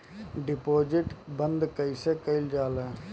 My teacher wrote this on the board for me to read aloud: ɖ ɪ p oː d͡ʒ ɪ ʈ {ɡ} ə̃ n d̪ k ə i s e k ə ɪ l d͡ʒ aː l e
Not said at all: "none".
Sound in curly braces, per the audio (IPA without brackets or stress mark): b